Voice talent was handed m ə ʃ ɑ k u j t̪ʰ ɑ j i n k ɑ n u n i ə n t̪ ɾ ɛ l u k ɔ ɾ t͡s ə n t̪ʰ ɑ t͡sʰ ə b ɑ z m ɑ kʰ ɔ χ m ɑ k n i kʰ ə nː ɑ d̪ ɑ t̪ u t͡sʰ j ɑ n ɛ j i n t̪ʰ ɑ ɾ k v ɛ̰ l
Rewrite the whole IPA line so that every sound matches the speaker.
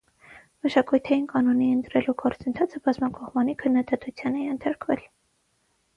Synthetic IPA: m ə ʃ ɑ k u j t̪ʰ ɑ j i n k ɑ n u n i ə n t̪ ɾ ɛ l u ɡ ɔ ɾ t͡s ə n t̪ʰ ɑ t͡sʰ ə b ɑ z m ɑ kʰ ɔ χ m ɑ n i kʰ ə nː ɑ d̪ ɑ t̪ u t͡sʰ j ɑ n ɛ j ɛ n t̪ʰ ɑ ɾ k v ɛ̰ l